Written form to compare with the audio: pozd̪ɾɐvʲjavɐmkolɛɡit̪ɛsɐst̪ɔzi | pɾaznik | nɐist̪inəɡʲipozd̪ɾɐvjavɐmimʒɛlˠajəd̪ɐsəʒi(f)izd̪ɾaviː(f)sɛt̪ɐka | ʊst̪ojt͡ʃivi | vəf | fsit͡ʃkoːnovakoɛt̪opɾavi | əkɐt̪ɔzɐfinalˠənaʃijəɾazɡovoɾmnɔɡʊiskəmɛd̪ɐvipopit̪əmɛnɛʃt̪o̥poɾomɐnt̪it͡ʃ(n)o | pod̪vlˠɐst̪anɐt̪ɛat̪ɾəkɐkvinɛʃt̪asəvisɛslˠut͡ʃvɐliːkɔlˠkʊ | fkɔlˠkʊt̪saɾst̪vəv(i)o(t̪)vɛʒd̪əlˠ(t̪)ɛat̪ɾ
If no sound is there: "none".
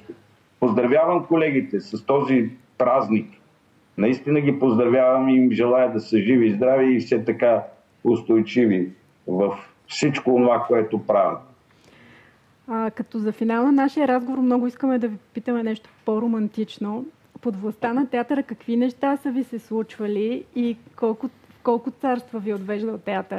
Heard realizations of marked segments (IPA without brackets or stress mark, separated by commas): v, f, n, i, d̪, t̪